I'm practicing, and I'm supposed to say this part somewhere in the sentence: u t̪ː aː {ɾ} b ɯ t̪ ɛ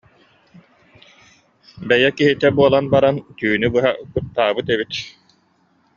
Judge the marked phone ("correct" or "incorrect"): incorrect